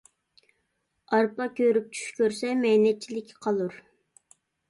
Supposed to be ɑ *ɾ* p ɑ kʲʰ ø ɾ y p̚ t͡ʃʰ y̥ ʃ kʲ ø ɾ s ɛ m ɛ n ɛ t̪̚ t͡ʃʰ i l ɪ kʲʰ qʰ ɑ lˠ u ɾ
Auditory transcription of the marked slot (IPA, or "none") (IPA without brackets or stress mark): ɾ